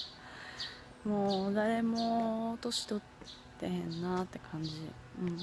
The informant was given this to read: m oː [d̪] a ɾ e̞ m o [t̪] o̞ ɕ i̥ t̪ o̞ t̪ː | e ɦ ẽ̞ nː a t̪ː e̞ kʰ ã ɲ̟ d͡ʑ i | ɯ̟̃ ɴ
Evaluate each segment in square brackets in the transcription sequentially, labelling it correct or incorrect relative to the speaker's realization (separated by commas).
correct, correct